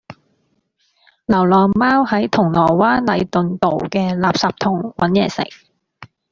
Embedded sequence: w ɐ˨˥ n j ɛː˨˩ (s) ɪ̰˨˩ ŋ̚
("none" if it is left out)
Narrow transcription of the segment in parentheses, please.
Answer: s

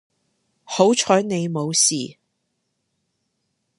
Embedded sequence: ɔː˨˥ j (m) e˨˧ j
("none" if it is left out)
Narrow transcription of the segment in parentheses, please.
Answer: n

